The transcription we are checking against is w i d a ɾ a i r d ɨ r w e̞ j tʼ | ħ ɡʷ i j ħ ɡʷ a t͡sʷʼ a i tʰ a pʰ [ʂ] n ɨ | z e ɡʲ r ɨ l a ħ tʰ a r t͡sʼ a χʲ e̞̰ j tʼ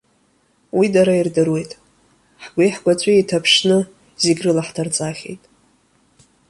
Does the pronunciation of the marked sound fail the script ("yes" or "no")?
no